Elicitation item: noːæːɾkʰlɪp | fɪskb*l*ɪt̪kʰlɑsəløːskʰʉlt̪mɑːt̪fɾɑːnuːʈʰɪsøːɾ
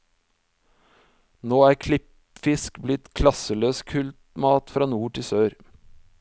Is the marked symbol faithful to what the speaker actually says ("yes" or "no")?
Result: yes